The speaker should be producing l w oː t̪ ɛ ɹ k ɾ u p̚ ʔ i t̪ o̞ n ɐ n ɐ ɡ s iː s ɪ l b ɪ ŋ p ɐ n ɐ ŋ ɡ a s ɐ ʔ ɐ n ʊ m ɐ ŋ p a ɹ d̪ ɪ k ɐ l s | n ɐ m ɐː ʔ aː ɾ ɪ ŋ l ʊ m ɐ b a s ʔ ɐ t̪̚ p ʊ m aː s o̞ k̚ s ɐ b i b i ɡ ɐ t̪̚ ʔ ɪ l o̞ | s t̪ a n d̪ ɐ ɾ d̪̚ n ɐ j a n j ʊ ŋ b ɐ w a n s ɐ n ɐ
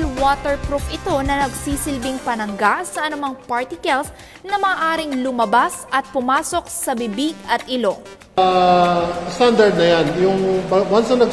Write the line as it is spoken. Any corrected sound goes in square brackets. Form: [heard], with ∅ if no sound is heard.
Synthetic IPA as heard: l w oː t̪ ɛ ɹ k ɾ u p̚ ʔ [ɪ] t̪ o̞ n ɐ n ɐ ɡ s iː s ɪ l b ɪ ŋ p ɐ n ɐ ŋ ɡ a s ɐ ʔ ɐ n ʊ m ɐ ŋ p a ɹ [t̪] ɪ k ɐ l s | n ɐ m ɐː ʔ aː ɾ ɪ ŋ l ʊ m ɐ b a s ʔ ɐ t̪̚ p ʊ m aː s o̞ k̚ s ɐ b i b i ɡ ɐ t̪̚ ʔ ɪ l o̞ | s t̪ a n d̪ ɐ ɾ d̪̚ n ɐ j a n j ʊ ŋ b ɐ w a n s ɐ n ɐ